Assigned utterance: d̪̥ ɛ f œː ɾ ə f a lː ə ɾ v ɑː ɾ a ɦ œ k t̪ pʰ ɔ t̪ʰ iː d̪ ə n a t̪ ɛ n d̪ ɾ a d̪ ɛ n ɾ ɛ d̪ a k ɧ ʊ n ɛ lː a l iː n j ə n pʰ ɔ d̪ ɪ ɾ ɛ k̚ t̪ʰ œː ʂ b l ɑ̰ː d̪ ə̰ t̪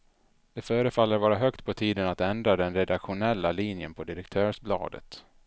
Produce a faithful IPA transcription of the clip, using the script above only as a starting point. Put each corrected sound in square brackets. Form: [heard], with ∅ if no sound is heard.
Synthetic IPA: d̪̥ ɛ f œː ɾ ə f a lː ə ɾ v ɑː ɾ a ɦ œ k t̪ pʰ ɔ t̪ʰ iː d̪ ə n a t̪ ɛ n d̪ ɾ a d̪ ɛ n ɾ ɛ d̪ a k ɧ ʊ n ɛ lː a l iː n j ə n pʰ ɔ d̪ ɪ ɾ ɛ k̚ t̪ʰ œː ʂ b l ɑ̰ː d̪ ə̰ t̪